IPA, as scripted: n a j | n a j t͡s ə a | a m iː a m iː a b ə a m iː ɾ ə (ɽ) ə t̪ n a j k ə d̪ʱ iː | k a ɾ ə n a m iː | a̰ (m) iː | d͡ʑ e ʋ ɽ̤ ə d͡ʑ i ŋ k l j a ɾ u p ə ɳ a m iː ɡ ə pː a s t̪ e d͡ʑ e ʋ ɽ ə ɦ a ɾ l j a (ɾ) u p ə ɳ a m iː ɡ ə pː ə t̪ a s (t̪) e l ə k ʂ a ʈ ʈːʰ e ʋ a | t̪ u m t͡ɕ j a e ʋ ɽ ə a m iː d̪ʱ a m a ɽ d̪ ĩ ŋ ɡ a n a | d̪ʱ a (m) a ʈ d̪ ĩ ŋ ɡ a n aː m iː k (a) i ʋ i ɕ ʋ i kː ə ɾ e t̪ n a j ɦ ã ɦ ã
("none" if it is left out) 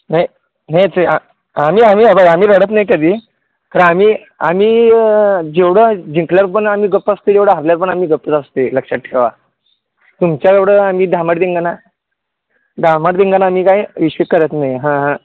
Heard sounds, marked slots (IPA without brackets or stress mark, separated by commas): ɽ, m, ɾ, t̪, m, a